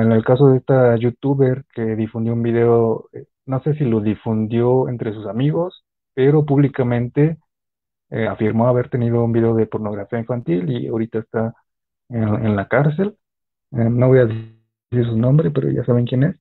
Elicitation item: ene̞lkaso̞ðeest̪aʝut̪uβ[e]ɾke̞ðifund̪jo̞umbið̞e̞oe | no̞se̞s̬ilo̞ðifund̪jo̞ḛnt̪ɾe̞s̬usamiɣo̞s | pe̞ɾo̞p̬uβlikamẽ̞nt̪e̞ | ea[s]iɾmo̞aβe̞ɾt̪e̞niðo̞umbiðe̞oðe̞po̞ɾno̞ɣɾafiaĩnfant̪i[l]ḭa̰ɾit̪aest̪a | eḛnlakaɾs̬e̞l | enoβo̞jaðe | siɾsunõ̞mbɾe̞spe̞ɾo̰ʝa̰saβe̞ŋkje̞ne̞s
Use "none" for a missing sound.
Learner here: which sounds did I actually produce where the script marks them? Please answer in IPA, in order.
e, f, l

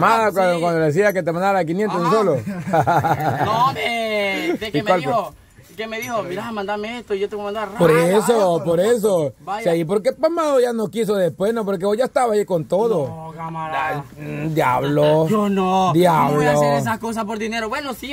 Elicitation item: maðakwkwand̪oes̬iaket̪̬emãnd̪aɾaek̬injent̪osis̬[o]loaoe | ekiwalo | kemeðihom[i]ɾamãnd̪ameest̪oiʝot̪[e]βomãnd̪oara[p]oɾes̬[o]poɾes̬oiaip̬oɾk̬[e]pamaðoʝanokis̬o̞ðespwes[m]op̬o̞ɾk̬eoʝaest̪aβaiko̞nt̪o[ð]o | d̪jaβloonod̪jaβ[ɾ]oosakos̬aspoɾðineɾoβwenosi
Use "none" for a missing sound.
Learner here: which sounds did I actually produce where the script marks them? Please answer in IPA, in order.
o, i, e, p, o, e, n, ð, l

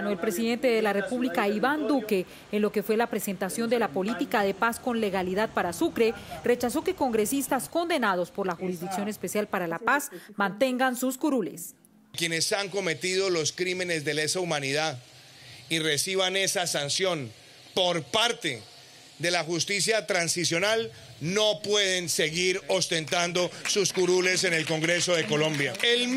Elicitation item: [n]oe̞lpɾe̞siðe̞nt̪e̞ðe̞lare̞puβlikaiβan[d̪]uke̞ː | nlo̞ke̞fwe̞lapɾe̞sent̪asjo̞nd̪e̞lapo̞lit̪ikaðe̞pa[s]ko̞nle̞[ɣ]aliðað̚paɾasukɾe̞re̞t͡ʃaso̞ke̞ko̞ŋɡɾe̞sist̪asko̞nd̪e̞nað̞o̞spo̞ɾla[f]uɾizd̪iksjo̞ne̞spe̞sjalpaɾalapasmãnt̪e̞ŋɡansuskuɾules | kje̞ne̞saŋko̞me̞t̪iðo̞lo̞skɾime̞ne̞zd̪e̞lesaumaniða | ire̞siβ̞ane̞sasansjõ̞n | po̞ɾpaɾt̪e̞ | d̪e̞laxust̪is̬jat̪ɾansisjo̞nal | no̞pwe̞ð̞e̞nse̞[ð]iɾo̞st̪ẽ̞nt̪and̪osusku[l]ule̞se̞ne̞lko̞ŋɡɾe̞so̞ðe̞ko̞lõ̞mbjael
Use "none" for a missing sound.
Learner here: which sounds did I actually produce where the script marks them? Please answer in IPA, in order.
n, d̪, s, ɣ, x, ɣ, ɾ

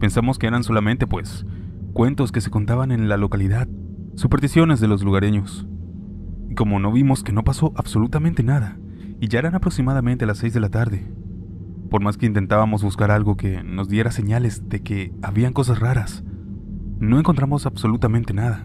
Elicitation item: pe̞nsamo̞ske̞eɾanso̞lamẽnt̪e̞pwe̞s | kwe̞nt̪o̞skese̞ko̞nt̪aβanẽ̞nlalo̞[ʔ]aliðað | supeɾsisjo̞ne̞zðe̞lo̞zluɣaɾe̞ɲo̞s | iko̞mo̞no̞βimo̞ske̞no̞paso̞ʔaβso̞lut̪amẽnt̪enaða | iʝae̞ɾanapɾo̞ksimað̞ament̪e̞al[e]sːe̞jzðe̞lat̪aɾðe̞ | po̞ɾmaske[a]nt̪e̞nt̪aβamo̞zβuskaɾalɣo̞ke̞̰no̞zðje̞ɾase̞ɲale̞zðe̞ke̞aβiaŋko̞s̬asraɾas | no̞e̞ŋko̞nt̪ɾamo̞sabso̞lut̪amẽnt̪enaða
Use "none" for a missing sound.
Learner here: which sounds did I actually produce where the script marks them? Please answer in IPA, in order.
k, a, i

